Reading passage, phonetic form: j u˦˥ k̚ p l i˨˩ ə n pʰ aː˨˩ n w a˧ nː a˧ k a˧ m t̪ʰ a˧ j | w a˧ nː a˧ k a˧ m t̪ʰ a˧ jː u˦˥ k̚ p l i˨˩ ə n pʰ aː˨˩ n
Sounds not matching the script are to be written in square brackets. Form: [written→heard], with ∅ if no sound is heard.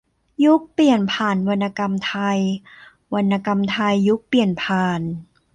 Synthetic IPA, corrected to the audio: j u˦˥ k̚ p l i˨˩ ə n pʰ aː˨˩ n w a˧ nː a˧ k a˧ m t̪ʰ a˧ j | w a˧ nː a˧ k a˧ m t̪ʰ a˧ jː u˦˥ k̚ p l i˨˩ ə n pʰ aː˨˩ n

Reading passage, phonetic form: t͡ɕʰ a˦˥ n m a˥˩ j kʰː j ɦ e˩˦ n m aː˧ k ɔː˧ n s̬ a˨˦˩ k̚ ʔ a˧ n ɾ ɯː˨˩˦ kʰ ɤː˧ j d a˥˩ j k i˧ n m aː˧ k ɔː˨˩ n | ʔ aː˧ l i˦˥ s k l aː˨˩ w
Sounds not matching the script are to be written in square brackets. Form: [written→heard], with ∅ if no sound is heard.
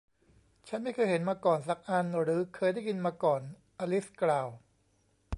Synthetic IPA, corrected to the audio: t͡ɕʰ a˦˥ n m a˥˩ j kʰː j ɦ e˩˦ n m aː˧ k [ɔː˧→ɔː˨˩] n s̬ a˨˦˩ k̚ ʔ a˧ n ɾ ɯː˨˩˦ kʰ ɤː˧ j d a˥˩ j k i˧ n m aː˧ k ɔː˨˩ n | ʔ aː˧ l i˦˥ s k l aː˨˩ w

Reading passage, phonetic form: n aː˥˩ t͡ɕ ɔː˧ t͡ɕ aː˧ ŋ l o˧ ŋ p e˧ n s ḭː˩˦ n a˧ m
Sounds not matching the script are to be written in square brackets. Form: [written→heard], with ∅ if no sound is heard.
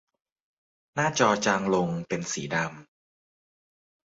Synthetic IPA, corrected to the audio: n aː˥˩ t͡ɕ ɔː˧ t͡ɕ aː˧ ŋ l o˧ ŋ p e˧ n s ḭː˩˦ [n→d] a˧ m

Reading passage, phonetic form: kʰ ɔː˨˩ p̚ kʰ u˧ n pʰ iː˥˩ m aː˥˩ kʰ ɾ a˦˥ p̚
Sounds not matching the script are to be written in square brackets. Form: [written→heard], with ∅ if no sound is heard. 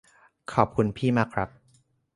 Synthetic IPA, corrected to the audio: kʰ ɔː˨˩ p̚ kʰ u˧ n pʰ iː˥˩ m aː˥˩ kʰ ɾ a˦˥ p̚

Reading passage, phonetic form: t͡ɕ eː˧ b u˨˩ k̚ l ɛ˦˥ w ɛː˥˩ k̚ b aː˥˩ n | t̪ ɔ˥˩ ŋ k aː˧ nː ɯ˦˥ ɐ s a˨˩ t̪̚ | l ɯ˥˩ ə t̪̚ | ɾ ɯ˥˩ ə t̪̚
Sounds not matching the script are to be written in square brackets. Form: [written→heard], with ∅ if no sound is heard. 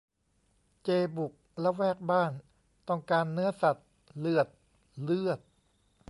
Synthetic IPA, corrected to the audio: t͡ɕ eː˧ b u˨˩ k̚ l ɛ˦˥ w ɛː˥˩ k̚ b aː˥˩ n | t̪ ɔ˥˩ ŋ k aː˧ nː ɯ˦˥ ɐ s a˨˩ t̪̚ | l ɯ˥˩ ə t̪̚ | [ɾ→l] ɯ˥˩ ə t̪̚

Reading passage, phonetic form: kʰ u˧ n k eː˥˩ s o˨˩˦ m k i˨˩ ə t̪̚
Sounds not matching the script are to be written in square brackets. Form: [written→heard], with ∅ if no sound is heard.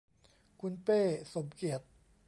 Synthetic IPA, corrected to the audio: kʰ u˧ n [k→p] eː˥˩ s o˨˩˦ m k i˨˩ ə t̪̚

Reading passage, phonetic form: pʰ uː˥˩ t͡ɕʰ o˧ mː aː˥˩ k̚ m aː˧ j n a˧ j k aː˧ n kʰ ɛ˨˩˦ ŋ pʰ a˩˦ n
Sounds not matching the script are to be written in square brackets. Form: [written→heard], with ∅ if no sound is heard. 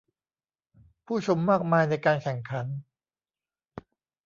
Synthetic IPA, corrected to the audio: pʰ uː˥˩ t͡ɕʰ o˧ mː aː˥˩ k̚ m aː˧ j n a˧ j k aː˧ n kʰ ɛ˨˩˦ ŋ [pʰ→kʰ] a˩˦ n

